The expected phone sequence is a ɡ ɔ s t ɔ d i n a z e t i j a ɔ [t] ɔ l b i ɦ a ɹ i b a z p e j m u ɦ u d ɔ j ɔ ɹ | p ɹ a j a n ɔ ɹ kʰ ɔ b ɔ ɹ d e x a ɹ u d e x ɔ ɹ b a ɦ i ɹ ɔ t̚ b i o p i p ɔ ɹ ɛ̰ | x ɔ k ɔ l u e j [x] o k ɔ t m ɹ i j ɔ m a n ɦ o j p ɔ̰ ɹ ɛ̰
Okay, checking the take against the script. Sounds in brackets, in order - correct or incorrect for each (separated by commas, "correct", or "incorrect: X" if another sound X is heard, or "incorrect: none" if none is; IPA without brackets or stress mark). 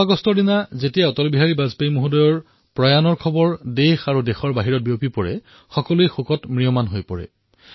correct, correct